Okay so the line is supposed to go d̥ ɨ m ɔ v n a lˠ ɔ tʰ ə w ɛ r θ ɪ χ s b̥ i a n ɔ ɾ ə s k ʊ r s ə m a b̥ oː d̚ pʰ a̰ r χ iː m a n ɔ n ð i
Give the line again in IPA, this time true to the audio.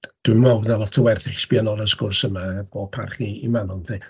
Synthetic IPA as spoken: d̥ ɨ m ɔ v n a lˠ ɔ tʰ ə w ɛ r θ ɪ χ s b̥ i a n ɔ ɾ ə s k ʊ r s ə m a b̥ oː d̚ pʰ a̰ r χ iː m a n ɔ n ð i